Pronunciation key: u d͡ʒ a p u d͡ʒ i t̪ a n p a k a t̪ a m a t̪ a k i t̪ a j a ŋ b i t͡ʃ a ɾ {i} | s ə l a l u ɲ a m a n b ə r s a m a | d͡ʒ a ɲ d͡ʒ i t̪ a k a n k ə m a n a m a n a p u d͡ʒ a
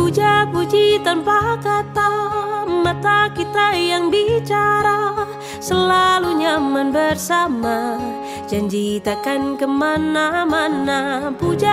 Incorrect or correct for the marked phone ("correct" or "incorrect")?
incorrect